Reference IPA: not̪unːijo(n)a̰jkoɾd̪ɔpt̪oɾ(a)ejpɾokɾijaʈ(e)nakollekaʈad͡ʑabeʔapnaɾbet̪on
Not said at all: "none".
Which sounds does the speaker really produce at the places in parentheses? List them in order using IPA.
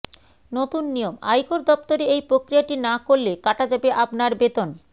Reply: m, e, i

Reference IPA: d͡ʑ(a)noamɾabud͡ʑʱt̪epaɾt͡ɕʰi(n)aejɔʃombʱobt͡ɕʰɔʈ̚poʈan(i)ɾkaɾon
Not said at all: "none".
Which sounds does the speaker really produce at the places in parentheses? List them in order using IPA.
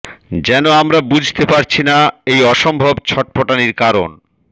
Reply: ɛ, n, i

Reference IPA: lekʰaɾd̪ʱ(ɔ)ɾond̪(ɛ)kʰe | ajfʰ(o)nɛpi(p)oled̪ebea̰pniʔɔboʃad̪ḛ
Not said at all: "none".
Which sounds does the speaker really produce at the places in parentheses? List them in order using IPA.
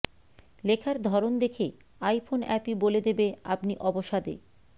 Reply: ɔ, e, o, b

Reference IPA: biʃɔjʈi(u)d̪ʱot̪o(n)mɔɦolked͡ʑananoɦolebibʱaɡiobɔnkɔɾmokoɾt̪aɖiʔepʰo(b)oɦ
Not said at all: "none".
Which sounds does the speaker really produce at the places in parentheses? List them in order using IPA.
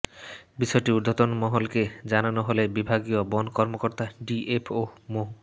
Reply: u, n, m

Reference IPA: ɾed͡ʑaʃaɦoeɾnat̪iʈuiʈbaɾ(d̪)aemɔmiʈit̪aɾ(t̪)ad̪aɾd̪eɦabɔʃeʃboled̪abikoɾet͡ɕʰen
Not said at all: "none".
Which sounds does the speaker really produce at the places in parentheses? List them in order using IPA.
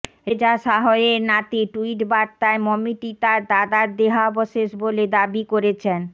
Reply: t̪, d̪

